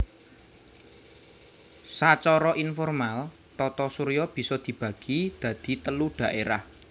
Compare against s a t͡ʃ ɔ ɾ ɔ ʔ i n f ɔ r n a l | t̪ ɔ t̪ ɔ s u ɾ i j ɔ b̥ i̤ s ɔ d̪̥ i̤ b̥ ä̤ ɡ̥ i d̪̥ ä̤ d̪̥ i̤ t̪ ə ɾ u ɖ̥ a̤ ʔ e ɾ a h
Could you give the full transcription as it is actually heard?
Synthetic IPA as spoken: s a t͡ʃ ɔ ɾ ɔ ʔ i n f ɔ r m a l | t̪ ɔ t̪ ɔ s u ɾ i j ɔ b̥ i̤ s ɔ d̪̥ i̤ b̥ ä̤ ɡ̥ i d̪̥ ä̤ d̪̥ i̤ t̪ ə l u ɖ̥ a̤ ʔ e ɾ a h